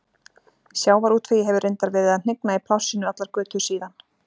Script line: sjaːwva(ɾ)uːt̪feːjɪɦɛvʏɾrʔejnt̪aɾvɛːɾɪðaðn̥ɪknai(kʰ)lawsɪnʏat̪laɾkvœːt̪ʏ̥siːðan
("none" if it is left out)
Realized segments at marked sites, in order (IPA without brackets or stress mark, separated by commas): ɾ, pʰ